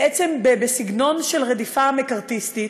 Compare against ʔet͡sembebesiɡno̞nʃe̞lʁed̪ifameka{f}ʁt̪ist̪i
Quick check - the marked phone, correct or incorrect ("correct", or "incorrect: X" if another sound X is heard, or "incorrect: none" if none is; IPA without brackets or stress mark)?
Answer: incorrect: none